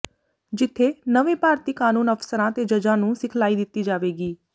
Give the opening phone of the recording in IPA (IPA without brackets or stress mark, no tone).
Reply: d͡ʒ